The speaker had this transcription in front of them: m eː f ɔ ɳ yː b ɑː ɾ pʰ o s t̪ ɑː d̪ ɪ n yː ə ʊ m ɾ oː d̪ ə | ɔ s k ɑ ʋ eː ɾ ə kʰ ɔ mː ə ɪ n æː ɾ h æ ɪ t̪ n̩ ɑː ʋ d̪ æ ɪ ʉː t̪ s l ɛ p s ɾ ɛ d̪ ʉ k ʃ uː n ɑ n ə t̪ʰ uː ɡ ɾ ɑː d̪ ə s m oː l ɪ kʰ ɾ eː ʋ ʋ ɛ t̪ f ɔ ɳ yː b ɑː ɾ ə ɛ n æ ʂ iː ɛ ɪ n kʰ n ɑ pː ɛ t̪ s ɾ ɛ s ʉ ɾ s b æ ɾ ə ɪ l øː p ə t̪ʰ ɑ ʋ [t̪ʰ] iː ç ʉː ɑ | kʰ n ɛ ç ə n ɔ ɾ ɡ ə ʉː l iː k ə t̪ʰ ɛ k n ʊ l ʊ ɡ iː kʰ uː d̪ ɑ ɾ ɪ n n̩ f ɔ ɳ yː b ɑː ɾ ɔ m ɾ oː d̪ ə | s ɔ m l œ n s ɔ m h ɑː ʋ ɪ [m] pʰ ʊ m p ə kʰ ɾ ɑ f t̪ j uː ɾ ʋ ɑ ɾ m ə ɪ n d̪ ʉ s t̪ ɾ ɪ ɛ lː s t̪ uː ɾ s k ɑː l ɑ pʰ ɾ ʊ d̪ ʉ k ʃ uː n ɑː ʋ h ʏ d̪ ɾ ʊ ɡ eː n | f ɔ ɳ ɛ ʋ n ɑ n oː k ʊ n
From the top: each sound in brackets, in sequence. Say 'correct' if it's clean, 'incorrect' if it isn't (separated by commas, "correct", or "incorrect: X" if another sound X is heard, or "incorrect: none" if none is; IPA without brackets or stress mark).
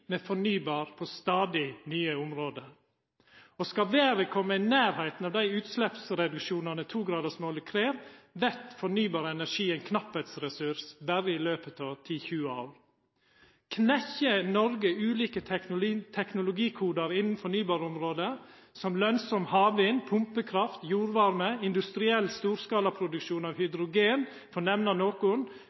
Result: correct, incorrect: n